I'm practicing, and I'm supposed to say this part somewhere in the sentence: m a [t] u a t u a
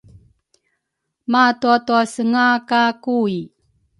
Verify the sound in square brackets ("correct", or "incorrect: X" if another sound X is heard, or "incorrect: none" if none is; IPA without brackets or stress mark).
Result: correct